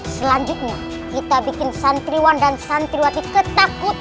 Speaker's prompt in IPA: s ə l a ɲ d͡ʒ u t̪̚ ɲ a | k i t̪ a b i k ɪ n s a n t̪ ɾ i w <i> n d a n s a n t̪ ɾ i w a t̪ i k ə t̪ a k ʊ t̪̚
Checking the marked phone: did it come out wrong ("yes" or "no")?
yes